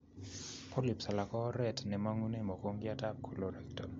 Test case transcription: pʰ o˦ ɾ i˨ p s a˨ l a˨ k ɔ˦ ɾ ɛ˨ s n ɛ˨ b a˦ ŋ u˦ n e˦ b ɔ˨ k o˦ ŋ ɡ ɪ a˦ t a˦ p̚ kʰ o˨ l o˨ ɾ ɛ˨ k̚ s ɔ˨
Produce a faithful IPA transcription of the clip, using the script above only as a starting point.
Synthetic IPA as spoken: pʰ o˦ l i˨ p s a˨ l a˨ k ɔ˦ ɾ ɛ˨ t n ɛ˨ m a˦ ŋ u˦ n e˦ m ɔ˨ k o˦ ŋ ɡ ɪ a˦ t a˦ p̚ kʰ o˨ l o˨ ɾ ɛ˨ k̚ t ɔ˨

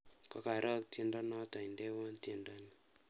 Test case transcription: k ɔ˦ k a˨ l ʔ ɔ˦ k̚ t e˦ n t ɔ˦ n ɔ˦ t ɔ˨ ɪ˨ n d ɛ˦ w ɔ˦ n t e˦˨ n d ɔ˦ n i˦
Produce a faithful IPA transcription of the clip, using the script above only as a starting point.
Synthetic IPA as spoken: k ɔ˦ k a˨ ɾ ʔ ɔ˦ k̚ t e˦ n d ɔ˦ n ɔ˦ t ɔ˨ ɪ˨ n d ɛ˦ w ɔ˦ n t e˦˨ n d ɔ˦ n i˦

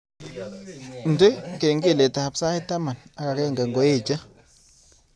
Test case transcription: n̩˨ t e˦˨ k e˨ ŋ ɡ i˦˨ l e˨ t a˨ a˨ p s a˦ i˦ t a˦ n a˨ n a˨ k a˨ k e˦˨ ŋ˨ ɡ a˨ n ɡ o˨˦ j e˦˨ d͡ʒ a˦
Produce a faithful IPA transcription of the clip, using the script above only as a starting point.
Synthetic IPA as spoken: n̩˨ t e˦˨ k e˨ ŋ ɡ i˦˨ l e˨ t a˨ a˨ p s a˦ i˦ t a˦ m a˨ n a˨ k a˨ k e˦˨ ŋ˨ ɡ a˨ ŋ ɡ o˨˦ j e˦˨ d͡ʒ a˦

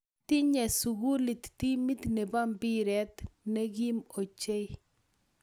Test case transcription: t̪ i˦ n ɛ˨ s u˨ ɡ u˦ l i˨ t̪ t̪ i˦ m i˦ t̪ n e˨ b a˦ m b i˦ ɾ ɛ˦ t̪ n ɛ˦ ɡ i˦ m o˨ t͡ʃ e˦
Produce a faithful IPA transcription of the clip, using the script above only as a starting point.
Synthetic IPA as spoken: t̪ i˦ ɲ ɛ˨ s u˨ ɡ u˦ l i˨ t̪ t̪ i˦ m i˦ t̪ n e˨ b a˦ m b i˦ ɾ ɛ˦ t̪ n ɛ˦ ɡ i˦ m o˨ t͡ʃ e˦

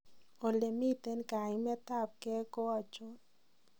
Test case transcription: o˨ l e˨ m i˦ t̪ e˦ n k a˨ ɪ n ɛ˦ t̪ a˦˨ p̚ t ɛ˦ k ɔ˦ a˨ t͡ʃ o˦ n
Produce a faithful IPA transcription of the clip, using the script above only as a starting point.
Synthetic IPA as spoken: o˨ l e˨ m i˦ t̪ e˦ n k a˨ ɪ m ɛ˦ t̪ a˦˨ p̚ k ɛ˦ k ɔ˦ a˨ t͡ʃ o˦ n

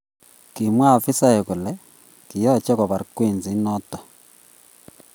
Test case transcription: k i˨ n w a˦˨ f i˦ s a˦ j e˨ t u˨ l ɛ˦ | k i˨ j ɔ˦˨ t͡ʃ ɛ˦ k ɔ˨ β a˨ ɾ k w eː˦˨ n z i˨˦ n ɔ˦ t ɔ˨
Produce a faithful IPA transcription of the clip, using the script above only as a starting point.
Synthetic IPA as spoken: k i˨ m w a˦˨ f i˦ s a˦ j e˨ k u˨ l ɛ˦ | k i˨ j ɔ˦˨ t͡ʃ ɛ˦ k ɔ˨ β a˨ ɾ k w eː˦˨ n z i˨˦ n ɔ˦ t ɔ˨

